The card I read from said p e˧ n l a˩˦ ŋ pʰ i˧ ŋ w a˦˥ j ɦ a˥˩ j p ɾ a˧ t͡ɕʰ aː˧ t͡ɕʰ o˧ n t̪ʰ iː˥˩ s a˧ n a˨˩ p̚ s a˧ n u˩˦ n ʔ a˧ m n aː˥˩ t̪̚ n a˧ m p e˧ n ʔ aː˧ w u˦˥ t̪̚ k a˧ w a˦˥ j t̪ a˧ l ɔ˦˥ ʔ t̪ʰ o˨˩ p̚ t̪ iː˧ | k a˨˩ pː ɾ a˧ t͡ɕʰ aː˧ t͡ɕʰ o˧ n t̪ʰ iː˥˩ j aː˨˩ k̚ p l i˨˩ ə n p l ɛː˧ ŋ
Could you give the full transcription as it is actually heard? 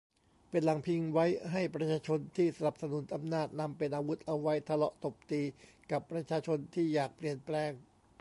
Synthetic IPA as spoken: p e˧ n l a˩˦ ŋ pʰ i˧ ŋ w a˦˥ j ɦ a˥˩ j p ɾ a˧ t͡ɕʰ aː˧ t͡ɕʰ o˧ n t̪ʰ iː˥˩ s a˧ n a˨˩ p̚ s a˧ n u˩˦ n ʔ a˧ m n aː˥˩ t̪̚ n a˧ m p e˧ n ʔ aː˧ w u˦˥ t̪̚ ʔ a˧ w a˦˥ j t̪ʰ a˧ l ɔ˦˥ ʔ t̪ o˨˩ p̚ t̪ iː˧ | k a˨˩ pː ɾ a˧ t͡ɕʰ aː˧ t͡ɕʰ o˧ n t̪ʰ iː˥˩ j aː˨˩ k̚ p l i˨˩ ə n p l ɛː˧ ŋ